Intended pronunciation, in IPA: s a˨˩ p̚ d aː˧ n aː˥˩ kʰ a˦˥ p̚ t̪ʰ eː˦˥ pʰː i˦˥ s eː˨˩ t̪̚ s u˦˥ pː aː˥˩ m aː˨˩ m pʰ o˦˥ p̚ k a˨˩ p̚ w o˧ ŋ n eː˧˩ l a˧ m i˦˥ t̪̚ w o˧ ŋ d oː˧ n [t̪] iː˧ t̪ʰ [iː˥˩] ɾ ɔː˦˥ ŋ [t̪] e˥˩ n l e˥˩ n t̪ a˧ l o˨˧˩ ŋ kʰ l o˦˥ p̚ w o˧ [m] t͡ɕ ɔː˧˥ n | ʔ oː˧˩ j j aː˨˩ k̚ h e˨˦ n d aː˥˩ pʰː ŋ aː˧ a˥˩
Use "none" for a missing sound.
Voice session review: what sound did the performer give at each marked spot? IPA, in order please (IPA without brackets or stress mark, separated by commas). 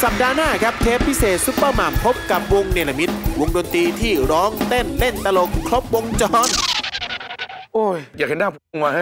t̪, iː˥˩, t̪, ŋ